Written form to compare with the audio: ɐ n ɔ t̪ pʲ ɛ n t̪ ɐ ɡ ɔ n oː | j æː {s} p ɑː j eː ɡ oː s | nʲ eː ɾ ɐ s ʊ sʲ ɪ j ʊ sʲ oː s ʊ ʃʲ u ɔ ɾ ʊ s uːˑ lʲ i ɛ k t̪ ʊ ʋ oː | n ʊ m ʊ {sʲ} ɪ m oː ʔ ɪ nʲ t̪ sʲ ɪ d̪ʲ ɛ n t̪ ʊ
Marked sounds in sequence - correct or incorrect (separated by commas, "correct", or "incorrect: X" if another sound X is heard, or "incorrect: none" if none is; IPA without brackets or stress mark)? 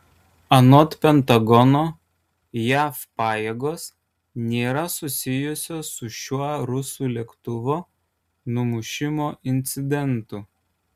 incorrect: f, incorrect: ʃʲ